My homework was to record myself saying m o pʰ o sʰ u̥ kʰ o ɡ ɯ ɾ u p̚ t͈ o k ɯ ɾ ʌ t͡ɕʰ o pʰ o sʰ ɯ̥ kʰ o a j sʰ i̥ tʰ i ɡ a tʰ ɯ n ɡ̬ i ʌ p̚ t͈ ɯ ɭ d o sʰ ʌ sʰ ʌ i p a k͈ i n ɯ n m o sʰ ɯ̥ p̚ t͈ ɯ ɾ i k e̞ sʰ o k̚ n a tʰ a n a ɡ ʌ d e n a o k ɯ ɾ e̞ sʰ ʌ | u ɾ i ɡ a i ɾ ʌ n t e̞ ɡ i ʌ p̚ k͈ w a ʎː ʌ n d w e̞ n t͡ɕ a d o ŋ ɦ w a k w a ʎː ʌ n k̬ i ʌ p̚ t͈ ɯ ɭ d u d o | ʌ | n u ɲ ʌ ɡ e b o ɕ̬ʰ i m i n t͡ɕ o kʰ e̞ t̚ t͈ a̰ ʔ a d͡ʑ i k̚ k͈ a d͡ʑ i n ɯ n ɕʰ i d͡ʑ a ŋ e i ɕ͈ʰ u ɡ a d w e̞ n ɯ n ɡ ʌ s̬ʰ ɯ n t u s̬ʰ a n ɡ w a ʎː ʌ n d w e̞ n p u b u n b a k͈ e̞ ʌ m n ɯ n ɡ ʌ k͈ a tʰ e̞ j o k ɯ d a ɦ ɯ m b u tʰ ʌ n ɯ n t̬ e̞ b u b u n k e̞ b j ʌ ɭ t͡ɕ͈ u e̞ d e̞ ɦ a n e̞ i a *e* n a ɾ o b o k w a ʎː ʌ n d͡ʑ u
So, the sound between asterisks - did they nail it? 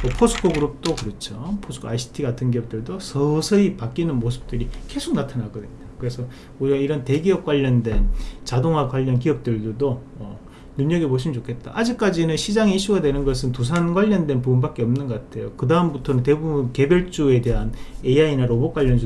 no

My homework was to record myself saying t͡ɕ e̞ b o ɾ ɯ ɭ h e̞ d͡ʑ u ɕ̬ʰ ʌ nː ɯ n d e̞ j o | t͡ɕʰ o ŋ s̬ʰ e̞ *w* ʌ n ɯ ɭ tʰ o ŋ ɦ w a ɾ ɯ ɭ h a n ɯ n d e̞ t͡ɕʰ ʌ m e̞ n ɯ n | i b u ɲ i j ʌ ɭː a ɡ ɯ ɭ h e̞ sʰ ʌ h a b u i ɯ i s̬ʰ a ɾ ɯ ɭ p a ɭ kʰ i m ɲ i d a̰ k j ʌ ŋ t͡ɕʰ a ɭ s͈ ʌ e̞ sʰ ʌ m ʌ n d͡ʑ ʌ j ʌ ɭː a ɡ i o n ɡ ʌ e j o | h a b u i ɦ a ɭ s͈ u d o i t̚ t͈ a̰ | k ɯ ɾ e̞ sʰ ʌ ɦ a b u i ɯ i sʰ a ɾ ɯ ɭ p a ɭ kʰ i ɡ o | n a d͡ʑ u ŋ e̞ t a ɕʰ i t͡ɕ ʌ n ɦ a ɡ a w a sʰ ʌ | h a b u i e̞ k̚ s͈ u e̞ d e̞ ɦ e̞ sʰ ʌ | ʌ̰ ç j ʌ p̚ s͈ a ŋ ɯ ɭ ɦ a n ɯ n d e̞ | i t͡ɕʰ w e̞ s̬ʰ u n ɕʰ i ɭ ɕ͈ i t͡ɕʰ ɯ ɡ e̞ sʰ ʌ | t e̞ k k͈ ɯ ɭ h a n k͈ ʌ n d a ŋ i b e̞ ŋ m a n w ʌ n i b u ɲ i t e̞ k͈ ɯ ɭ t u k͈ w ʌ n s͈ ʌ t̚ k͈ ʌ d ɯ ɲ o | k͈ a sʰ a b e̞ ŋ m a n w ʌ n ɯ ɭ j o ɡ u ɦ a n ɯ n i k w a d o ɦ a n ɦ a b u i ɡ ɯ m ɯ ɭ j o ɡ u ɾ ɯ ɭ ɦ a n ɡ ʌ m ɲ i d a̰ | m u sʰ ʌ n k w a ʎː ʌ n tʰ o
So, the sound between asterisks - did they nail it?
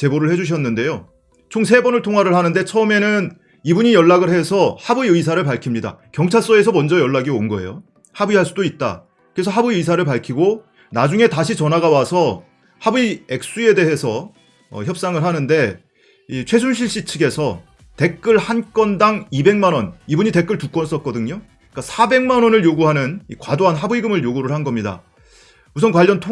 no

